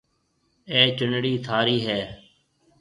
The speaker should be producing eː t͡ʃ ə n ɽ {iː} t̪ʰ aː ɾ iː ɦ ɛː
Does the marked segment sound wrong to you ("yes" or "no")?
no